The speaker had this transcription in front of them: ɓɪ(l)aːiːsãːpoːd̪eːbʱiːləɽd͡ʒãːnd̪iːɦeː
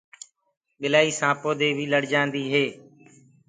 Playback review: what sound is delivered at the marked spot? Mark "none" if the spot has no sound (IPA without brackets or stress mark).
l